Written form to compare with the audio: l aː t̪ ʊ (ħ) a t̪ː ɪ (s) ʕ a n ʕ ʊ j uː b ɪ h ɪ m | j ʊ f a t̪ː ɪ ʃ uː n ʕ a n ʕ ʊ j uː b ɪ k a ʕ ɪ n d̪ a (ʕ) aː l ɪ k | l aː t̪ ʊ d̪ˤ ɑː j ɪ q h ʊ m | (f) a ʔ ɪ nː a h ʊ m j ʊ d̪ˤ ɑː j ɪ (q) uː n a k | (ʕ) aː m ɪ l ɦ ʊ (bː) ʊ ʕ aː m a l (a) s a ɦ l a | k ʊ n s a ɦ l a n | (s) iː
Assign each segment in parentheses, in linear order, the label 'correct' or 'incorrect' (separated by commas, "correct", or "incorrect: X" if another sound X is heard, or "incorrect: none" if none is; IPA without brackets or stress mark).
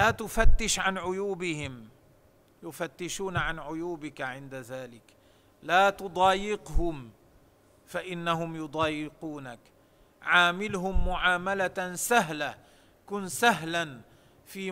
incorrect: f, incorrect: ʃ, incorrect: ð, correct, correct, correct, incorrect: mː, correct, incorrect: f